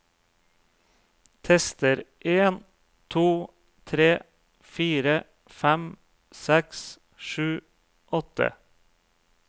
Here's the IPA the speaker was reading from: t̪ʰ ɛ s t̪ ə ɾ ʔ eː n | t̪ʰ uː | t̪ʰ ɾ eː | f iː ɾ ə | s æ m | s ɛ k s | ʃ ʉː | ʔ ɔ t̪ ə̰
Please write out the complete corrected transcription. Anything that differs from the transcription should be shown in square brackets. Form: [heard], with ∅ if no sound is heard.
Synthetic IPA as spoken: t̪ʰ ɛ s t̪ ə ɾ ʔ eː n | t̪ʰ uː | t̪ʰ ɾ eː | f iː ɾ ə | [f] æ m | s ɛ k s | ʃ ʉː | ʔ ɔ t̪ ə̰